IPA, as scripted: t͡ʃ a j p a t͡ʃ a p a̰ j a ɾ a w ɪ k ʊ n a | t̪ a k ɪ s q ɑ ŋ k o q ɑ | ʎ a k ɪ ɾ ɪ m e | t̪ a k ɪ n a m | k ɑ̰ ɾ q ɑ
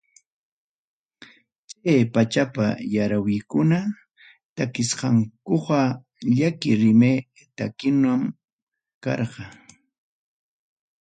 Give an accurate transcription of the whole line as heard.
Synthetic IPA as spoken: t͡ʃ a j p a t͡ʃ a p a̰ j a ɾ a w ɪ k ʊ n a | t̪ a k ɪ s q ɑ ŋ k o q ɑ | ʎ a k ɪ ɾ ɪ m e | t̪ a k ɪ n a m | k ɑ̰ ɾ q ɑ